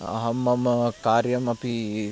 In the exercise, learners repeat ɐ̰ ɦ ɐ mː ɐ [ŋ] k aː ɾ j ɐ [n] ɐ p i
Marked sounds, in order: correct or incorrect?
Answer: incorrect, incorrect

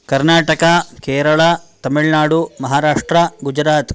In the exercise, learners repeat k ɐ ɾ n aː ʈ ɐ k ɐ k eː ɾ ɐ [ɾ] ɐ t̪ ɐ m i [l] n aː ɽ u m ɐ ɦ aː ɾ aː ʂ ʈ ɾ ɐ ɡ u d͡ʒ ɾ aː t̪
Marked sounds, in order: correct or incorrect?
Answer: incorrect, incorrect

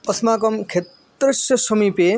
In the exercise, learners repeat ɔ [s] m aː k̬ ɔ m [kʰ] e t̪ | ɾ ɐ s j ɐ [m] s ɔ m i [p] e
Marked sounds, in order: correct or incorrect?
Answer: correct, correct, incorrect, correct

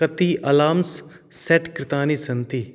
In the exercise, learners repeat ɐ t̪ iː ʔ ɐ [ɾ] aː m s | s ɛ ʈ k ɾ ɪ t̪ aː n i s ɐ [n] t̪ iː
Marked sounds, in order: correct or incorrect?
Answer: incorrect, correct

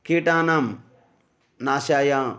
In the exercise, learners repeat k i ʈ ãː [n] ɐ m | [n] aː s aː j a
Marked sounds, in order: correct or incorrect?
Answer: correct, correct

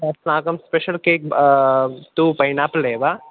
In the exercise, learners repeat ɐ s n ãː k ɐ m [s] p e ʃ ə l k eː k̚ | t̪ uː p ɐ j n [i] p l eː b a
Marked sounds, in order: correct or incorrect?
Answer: correct, incorrect

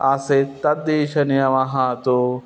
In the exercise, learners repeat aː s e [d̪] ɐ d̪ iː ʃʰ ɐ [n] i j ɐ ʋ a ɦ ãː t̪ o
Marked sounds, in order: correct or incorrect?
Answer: incorrect, correct

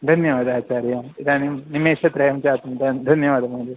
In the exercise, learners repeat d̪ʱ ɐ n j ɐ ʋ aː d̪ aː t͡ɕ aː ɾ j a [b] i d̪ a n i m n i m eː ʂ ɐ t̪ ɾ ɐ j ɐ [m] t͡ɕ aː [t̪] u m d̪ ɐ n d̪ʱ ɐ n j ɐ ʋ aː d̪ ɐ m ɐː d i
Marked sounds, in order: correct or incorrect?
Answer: incorrect, correct, correct

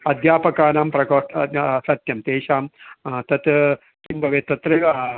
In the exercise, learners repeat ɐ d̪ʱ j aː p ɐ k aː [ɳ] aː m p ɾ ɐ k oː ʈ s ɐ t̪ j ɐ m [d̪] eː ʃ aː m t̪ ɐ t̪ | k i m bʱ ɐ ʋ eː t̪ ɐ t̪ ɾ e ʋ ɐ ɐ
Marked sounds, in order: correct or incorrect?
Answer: incorrect, incorrect

